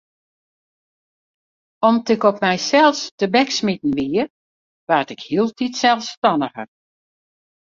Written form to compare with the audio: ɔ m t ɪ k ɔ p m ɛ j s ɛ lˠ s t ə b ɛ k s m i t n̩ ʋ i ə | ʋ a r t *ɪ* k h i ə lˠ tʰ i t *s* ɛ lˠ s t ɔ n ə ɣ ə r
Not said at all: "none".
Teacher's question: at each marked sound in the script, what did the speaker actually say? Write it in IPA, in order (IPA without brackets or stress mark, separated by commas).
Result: ɪ, s